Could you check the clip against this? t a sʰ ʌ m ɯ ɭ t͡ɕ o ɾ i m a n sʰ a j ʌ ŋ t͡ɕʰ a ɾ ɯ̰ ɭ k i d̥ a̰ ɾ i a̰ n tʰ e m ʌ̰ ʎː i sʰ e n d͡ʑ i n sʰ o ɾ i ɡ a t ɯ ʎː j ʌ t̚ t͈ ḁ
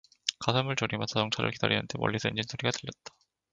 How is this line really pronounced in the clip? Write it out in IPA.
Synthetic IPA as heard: k a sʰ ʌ m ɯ ɭ t͡ɕ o ɾ i m a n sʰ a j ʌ ŋ t͡ɕʰ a ɾ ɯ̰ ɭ k i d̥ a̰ ɾ i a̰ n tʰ e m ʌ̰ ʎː i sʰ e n d͡ʑ i n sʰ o ɾ i ɡ a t ɯ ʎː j ʌ t̚ t͈ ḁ

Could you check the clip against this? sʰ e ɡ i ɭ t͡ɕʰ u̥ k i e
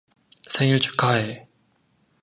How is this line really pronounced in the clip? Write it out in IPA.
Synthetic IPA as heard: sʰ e ŋ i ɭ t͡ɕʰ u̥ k a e

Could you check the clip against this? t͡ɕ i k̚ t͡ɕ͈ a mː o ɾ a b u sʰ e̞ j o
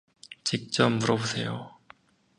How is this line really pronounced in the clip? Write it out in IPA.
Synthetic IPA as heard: t͡ɕ i k̚ t͡ɕ͈ ʌ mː u ɾ ʌ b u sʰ e̞ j o

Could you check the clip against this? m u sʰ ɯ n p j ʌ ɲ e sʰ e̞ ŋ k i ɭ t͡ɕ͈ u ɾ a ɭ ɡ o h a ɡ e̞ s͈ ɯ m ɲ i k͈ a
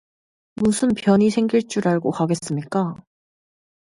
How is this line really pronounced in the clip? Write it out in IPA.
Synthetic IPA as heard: m u sʰ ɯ n p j ʌ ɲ i sʰ e̞ ŋ ɡ i ɭ t͡ɕ͈ u ɾ a ɭ ɡ o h a ɡ e̞ s͈ ɯ m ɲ i k͈ a

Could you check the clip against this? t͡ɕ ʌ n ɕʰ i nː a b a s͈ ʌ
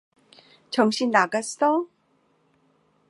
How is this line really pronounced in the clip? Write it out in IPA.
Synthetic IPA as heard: t͡ɕ ʌ ŋ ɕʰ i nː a ɡ a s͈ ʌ

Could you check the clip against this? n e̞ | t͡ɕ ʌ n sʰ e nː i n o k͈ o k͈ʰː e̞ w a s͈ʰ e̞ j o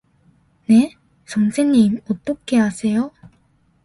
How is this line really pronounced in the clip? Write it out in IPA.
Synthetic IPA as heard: n e̞ | t͡ɕ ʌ ŋ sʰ e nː i m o t͈ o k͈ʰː e̞ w a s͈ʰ e̞ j o

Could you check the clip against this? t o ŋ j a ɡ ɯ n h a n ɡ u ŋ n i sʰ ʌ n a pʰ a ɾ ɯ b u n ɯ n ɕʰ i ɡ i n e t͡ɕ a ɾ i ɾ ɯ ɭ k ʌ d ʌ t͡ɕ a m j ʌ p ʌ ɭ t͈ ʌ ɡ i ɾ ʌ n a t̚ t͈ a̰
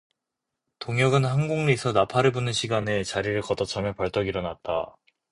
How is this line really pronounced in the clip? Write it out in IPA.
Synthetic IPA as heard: t o ŋ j ʌ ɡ ɯ n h a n ɡ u ŋ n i sʰ ʌ n a pʰ a ɾ ɯ b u n ɯ n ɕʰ i ɡ a n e t͡ɕ a ɾ i ɾ ɯ ɭ k ʌ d ʌ t͡ɕʰ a m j ʌ p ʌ ɭ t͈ ʌ ɡ i ɾ ʌ n a t̚ t͈ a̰

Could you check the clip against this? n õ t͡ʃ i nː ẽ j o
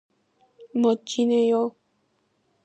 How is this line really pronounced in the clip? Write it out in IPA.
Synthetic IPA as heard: m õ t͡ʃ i n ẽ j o

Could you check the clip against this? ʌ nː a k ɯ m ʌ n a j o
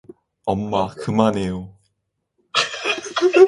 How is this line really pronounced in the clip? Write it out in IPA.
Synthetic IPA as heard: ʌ mː a k ɯ m a n e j o

